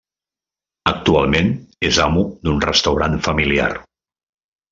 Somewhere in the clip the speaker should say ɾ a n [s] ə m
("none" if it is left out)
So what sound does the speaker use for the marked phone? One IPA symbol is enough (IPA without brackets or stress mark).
f